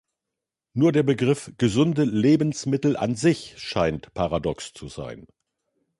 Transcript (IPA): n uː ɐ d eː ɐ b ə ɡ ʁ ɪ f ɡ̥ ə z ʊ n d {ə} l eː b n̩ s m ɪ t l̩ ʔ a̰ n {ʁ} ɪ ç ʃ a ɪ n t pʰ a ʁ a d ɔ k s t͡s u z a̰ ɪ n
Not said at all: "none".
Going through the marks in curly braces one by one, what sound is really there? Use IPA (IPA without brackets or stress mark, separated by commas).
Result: ə, z